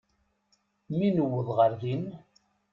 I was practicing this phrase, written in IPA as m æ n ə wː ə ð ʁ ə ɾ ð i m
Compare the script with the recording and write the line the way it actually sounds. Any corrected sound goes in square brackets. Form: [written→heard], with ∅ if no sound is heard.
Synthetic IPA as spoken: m [æ→i] n ə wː ə ð ʁ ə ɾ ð i [m→n]